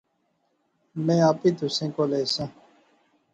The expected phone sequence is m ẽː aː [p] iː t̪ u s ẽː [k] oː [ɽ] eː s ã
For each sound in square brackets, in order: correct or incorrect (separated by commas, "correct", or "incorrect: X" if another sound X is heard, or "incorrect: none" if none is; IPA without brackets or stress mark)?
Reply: correct, correct, incorrect: l